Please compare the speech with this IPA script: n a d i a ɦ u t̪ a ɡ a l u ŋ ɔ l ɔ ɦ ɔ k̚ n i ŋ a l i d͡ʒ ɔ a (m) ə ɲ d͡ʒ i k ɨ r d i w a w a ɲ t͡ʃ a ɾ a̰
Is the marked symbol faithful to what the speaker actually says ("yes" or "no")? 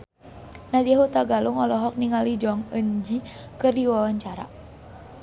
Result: no